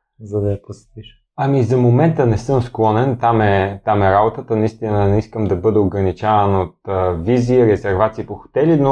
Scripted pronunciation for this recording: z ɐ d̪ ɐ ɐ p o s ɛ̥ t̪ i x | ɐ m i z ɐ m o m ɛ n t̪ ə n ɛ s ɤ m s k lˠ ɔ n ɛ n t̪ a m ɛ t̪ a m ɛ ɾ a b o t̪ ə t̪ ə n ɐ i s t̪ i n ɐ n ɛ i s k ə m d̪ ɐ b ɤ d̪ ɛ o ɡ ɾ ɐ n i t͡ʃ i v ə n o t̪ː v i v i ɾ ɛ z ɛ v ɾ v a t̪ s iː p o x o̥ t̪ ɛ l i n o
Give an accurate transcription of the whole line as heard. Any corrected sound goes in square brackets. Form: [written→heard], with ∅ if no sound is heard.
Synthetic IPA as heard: z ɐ d̪ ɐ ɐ p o s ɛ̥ t̪ i [x→ʃ] | ɐ m i z ɐ m o m ɛ n t̪ ə n ɛ s ɤ m s k lˠ ɔ n ɛ n t̪ a m ɛ t̪ a m ɛ ɾ a b o t̪ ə t̪ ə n ɐ i s t̪ i n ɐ n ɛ i s k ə m d̪ ɐ b ɤ d̪ ɛ o ɡ ɾ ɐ n i t͡ʃ [i→a] v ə n o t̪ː v i [v→z] i ɾ ɛ z ɛ [v→∅] ɾ v a t̪ s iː p o x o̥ t̪ ɛ l i n o